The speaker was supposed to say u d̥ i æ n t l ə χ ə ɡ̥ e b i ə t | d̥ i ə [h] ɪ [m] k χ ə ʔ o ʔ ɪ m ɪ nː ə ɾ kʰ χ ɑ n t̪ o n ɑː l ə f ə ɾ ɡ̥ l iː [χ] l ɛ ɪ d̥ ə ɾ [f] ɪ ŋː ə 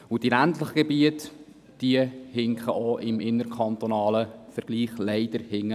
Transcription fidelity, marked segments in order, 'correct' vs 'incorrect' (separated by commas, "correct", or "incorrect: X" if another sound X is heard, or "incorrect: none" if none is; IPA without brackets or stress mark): correct, incorrect: ŋ, correct, incorrect: h